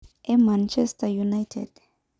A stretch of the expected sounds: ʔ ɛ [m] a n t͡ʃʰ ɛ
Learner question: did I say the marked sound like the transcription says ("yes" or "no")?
yes